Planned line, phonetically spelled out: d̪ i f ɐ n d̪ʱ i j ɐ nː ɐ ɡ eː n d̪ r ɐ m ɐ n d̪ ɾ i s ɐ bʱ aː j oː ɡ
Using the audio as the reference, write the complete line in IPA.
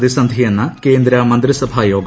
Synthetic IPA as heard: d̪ i s ɐ n d̪ʱ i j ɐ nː ɐ k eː n d̪ ɾ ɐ m ɐ n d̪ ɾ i s ɐ bʱ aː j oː ɡ